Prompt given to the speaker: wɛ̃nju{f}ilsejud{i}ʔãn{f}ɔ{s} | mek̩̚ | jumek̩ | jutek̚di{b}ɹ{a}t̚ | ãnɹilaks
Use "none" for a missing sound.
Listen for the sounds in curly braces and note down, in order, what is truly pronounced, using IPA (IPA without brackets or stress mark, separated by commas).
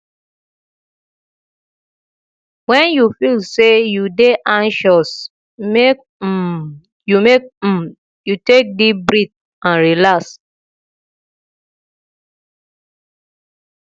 f, e, ʃ, s, b, i